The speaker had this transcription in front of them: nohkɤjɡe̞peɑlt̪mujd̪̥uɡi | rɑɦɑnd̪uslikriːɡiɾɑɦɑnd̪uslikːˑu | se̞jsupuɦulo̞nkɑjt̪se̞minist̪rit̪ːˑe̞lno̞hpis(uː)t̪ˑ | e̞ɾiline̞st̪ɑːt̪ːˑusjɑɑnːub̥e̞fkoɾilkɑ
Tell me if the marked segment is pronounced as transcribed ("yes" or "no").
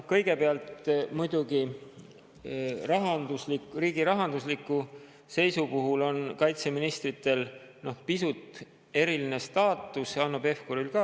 no